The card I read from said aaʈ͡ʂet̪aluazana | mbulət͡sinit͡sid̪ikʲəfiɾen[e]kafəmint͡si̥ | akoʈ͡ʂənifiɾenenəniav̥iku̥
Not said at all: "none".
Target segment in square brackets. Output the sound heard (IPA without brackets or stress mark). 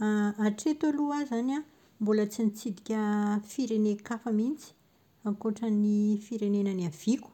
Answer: e